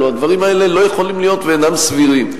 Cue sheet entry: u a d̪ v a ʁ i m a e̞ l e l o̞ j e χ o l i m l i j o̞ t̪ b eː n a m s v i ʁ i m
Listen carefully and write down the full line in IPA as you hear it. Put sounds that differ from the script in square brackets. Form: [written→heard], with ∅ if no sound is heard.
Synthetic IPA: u a d̪ v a ʁ i m a e̞ l e l o̞ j e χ o l i m l i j o̞ t̪ [b→v] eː n a m s v i ʁ i m